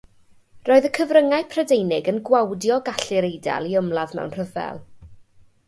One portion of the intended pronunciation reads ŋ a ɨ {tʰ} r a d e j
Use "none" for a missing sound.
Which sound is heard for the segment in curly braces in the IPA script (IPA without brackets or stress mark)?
pʰ